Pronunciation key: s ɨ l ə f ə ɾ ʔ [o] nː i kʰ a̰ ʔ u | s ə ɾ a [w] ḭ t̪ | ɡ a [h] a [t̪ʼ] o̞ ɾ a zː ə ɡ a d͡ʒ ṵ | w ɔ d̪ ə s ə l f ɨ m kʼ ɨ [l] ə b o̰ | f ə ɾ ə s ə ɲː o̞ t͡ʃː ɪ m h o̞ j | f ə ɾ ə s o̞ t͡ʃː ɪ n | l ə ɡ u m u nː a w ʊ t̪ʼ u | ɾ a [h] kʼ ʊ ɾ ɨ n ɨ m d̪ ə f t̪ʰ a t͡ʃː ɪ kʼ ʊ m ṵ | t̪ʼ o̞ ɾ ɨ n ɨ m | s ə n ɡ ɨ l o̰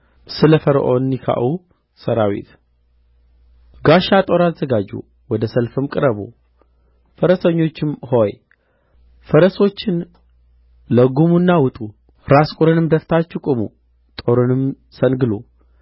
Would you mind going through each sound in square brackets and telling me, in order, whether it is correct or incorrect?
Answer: correct, correct, incorrect, correct, incorrect, incorrect

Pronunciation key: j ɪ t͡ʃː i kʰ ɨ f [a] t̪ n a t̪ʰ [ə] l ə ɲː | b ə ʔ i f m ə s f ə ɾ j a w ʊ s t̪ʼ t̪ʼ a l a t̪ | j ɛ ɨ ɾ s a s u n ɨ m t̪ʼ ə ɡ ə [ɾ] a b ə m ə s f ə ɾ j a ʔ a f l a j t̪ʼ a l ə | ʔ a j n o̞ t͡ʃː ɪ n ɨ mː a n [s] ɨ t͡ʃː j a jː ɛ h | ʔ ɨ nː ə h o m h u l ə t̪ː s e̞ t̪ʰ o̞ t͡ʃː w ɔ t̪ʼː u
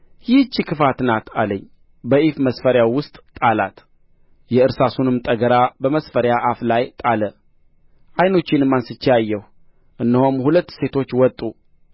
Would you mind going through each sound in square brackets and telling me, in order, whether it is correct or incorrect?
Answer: correct, incorrect, correct, correct

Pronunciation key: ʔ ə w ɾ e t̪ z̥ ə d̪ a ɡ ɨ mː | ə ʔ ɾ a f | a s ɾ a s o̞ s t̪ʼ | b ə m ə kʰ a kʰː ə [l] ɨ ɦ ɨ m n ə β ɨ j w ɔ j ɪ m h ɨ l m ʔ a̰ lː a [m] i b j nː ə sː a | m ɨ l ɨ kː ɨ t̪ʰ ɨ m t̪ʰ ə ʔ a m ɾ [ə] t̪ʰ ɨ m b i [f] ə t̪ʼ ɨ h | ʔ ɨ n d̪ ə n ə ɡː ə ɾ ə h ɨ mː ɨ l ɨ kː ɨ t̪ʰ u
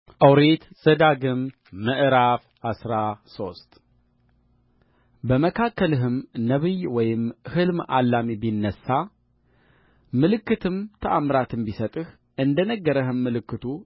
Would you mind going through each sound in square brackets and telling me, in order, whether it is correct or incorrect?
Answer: correct, correct, incorrect, incorrect

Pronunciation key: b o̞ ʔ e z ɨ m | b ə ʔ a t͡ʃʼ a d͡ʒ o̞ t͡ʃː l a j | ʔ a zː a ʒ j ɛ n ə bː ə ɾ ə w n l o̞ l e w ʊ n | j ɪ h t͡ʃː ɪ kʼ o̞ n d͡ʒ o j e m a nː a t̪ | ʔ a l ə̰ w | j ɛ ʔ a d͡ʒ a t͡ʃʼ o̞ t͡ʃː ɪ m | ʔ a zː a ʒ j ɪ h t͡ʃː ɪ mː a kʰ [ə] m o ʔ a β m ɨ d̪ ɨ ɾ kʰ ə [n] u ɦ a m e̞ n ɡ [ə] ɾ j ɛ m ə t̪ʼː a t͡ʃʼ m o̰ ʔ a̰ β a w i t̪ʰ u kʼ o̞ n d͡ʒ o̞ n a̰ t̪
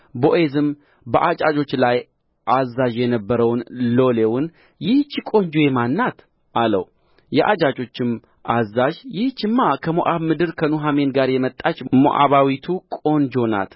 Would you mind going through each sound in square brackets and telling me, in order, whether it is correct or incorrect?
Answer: correct, correct, incorrect

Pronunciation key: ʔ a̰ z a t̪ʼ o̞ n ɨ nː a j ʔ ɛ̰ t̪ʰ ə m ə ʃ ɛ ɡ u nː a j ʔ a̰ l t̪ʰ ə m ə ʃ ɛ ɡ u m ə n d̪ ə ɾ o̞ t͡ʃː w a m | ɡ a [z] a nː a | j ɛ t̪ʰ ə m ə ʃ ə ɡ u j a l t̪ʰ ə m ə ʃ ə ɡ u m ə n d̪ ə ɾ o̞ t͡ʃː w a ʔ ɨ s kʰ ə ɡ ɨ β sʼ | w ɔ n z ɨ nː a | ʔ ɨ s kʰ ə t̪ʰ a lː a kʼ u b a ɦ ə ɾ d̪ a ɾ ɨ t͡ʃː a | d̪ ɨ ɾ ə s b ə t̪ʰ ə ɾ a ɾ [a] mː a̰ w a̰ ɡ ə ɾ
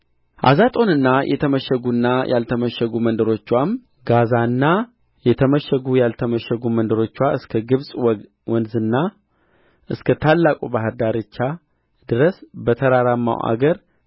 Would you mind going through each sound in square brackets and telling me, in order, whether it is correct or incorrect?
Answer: correct, correct

